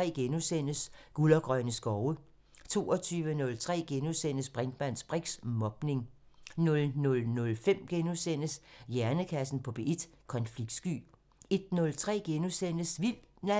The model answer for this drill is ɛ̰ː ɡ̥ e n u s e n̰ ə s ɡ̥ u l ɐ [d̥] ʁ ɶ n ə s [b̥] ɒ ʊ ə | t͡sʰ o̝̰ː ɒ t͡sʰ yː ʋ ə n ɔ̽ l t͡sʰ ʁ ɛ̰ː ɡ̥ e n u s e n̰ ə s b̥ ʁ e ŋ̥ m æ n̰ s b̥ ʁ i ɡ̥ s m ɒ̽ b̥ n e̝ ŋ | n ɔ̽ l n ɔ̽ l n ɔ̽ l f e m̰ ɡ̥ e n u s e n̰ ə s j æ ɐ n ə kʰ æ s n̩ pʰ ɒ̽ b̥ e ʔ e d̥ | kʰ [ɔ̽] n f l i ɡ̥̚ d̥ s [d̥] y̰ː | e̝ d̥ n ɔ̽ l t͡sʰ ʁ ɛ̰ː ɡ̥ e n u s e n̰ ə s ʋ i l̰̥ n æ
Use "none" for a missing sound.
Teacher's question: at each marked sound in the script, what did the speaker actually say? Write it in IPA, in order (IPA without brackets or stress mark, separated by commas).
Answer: ɡ̥, ɡ̥, ɒ̽, ɡ̥